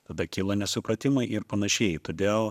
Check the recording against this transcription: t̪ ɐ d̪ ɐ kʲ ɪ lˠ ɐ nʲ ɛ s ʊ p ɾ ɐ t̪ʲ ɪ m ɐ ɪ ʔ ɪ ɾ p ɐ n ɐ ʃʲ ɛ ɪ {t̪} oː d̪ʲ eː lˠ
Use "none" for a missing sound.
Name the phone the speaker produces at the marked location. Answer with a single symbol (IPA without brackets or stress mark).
t̪